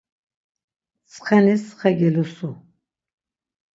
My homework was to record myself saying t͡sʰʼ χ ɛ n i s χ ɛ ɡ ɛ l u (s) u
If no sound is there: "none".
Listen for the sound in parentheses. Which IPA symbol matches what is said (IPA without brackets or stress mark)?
s